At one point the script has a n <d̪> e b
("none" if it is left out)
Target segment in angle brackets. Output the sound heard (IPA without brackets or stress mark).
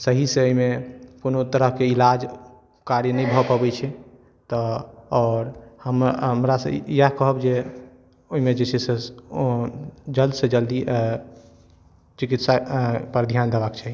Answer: d̪